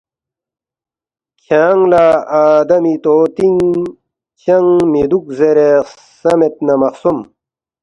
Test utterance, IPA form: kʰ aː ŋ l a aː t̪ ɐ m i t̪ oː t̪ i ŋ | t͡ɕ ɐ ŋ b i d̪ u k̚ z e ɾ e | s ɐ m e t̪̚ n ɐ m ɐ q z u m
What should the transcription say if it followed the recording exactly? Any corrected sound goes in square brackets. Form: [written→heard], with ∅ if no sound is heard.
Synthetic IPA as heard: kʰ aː ŋ l a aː [t̪→d̪] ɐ m i t̪ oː t̪ i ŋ | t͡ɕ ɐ ŋ [b→m] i d̪ u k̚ z e ɾ e | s ɐ m e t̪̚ n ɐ m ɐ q [z→s] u m